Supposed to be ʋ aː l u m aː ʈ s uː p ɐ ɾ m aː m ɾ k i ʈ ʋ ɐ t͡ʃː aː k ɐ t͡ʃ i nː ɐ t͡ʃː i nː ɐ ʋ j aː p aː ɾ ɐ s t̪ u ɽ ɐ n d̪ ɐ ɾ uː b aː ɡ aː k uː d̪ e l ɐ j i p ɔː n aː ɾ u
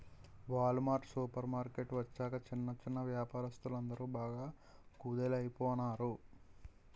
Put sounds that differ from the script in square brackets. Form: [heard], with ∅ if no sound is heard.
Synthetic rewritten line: ʋ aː l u m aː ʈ s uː p ɐ ɾ m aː [∅] ɾ k [e] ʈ ʋ ɐ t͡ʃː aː k ɐ t͡ʃ i nː ɐ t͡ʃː i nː ɐ ʋ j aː p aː ɾ ɐ s t̪ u [l] ɐ n d̪ ɐ ɾ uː b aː ɡ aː k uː d̪ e l ɐ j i p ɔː n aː ɾ u